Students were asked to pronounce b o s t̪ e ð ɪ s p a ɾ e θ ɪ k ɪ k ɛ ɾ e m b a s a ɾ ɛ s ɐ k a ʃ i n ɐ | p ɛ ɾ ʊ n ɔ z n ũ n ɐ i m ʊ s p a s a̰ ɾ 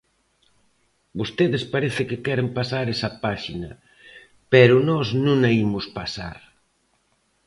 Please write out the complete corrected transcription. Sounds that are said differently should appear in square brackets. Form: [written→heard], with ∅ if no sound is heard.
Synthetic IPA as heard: b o s t̪ e ð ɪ s p a ɾ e θ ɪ k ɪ k ɛ ɾ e m [b→p] a s a ɾ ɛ s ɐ [k→p] a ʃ i n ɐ | p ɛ ɾ ʊ n ɔ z n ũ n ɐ i m ʊ s p a s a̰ ɾ